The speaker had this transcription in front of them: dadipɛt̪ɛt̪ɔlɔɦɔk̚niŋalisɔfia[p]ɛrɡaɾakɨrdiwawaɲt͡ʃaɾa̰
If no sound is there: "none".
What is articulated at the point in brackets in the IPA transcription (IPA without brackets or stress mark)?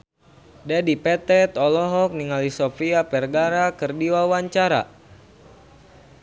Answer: p